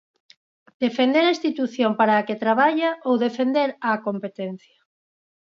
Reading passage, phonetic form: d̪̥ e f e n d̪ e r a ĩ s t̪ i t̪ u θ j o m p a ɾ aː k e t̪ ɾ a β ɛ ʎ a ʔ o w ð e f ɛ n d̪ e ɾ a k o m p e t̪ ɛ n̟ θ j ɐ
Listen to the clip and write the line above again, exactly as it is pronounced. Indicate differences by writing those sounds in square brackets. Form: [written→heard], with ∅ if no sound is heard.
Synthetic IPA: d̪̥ e f e n d̪ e [r→ɾ] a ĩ s t̪ i t̪ u θ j o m p a ɾ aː k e t̪ ɾ a β [ɛ→a] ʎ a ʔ o w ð e f [ɛ→e] n d̪ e ɾ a k o m p e t̪ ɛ n̟ θ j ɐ